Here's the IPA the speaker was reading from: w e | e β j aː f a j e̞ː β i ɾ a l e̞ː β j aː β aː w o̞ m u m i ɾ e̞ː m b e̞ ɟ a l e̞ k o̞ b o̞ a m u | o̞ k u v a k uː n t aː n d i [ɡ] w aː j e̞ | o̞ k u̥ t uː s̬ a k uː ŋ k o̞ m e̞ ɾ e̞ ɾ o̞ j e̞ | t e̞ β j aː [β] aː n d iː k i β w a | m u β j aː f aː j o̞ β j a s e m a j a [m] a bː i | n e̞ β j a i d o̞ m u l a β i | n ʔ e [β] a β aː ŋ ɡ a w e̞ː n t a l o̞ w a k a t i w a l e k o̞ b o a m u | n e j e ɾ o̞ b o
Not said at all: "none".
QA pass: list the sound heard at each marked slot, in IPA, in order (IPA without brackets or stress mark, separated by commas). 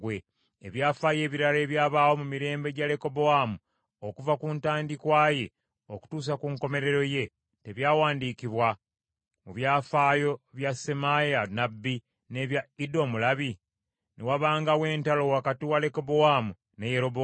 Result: k, w, n, w